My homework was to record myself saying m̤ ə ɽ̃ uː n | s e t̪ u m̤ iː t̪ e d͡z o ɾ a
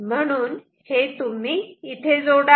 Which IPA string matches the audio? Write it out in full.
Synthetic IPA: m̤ ə ɽ̃ uː n | h e t̪ u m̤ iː t̪ʰ e d͡z o ɽ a